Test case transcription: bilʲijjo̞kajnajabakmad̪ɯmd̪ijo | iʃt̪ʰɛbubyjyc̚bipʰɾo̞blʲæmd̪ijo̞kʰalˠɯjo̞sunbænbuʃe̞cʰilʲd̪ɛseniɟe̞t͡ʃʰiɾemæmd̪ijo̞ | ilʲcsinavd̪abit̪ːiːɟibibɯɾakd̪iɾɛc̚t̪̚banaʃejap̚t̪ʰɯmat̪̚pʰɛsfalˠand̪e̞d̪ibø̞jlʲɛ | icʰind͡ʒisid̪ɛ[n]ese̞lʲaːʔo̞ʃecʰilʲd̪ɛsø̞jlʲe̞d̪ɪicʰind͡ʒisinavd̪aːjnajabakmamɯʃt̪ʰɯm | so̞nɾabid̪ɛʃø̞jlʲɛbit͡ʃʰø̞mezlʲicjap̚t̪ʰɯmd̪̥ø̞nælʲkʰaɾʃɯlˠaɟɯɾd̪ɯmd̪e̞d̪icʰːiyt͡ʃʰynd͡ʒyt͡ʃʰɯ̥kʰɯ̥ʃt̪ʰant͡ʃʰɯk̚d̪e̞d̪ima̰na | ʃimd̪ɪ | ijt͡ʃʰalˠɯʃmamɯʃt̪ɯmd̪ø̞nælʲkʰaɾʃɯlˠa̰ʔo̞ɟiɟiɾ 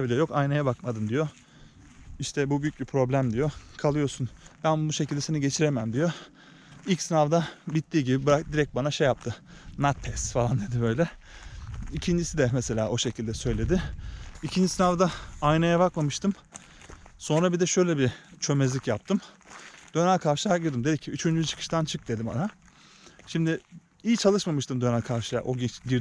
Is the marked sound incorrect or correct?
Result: incorrect